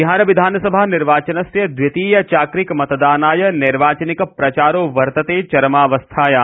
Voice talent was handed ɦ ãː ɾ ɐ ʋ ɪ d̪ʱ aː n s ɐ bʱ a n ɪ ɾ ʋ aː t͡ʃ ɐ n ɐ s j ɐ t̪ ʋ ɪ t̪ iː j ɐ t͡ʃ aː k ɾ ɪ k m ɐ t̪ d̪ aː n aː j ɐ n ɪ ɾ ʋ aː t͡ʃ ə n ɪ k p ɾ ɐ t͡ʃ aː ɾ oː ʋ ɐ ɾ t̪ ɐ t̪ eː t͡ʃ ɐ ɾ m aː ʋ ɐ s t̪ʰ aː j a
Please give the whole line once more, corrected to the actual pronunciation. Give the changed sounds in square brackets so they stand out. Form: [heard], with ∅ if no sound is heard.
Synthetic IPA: ɦ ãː ɾ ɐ ʋ ɪ d̪ʱ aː n s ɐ bʱ a n ɪ ɾ ʋ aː t͡ʃ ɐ n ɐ s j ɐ [d̪] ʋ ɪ t̪ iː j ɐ t͡ʃ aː k ɾ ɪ k m ɐ t̪ d̪ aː n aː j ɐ n ɪ ɾ ʋ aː t͡ʃ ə n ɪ k p ɾ ɐ t͡ʃ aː ɾ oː ʋ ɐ ɾ t̪ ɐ t̪ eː t͡ʃ ɐ ɾ m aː ʋ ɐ s t̪ʰ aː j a